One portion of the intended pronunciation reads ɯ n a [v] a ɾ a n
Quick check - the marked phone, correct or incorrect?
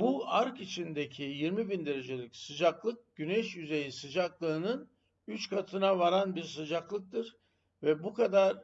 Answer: correct